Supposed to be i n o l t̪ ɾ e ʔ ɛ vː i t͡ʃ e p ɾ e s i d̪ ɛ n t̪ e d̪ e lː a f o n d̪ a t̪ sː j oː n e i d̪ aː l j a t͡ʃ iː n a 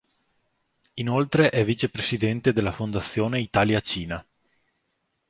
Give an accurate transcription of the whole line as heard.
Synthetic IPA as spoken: i n o l t̪ ɾ e ʔ ɛ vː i t͡ʃ e p ɾ e s i d̪ ɛ n t̪ e d̪ e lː a f o n d̪ a t̪ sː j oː n e i t̪ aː l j a t͡ʃ iː n a